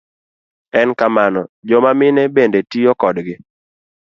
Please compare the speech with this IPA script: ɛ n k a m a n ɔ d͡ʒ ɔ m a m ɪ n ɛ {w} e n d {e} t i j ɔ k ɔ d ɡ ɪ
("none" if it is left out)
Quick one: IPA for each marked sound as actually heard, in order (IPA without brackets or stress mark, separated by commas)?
b, e